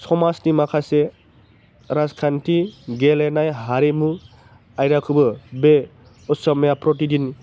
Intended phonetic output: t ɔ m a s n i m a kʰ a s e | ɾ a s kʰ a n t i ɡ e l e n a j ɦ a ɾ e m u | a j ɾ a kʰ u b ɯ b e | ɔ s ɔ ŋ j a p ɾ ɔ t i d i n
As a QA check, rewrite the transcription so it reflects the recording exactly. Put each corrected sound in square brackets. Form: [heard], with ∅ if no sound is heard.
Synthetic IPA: [s] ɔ m a s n i m a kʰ a s e | ɾ a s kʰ a n t i ɡ e l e n a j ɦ a ɾ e m u | a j ɾ a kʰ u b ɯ b e | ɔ s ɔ [m] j a p ɾ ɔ t i d i n